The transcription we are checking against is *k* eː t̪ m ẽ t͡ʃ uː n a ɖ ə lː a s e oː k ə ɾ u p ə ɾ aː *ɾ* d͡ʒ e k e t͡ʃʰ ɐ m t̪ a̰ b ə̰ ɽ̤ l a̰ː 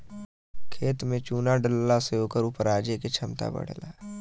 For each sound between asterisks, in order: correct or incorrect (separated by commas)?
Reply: incorrect, incorrect